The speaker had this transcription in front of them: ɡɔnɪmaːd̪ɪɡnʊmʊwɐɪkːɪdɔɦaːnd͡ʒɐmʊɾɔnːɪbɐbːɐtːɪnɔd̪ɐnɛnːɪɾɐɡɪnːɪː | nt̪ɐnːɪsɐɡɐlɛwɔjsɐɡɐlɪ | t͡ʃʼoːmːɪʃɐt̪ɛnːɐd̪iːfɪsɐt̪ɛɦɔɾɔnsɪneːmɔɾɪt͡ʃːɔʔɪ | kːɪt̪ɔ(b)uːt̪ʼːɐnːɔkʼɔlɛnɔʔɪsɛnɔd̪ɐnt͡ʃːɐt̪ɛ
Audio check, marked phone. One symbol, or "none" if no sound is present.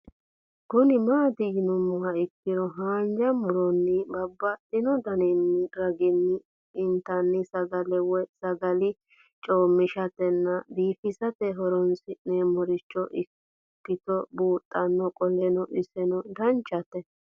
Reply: b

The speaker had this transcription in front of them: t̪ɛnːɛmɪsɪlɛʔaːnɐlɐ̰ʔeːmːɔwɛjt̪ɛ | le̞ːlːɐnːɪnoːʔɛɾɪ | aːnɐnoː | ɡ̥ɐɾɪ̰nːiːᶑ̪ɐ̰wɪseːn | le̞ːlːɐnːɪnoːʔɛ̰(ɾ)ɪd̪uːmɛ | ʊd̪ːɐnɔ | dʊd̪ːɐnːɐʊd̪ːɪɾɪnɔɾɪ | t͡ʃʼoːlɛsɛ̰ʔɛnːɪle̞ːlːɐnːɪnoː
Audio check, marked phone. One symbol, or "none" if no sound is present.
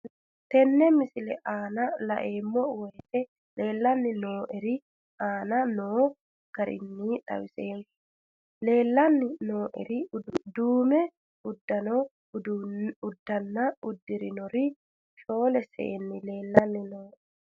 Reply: ɾ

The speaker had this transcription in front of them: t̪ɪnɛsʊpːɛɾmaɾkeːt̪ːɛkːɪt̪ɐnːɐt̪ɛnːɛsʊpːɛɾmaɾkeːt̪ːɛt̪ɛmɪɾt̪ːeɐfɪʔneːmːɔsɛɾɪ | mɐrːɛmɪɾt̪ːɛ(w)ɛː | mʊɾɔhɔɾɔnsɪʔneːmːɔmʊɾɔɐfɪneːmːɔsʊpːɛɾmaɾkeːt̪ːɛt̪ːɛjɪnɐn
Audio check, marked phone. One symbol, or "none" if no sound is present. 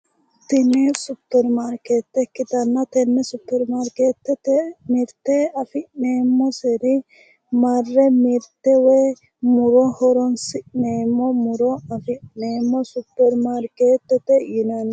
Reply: w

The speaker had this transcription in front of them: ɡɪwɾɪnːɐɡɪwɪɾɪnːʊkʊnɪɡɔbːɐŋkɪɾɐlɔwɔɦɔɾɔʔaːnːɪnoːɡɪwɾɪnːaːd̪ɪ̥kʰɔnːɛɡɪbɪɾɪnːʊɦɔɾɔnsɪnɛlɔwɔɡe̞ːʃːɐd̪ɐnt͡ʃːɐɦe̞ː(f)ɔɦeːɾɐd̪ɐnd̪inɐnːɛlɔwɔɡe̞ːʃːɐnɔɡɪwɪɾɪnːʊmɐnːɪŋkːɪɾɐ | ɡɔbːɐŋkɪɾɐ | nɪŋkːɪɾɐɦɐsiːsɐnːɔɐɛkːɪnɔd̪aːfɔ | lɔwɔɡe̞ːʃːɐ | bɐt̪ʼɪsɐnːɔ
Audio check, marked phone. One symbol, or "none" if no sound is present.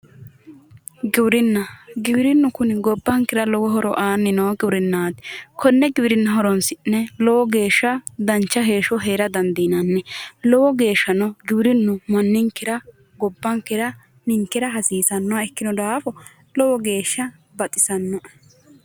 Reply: ʃ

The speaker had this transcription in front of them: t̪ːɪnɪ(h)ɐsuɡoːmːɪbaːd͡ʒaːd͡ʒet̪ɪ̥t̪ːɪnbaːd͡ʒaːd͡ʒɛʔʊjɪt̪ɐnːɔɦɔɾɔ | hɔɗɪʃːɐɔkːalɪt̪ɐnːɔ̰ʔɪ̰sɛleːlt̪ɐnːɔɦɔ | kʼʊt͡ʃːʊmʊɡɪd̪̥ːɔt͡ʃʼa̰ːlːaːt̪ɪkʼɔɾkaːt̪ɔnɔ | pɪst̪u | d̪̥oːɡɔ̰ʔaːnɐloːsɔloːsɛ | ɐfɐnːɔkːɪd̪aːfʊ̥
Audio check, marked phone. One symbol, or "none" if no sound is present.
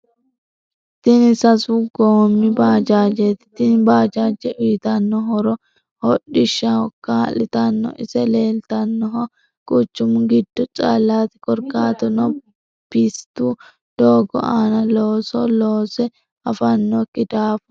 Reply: s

